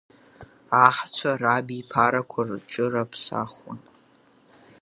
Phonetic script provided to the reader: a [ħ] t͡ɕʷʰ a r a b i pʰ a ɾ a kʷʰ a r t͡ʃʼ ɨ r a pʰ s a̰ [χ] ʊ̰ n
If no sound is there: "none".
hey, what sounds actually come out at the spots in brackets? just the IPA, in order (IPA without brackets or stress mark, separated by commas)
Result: ħ, χ